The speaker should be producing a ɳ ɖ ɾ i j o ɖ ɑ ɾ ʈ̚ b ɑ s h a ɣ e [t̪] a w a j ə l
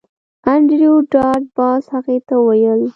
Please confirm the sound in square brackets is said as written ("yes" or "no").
yes